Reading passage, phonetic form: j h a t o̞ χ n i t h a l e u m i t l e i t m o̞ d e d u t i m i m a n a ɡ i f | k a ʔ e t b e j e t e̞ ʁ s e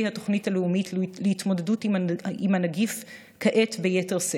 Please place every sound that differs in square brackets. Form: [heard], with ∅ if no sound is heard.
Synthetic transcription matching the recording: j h a t o̞ χ n i t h a l e u m i t l e i t m o̞ d e d u t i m i m a n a ɡ i f | k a ʔ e t b e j e t e̞ ʁ s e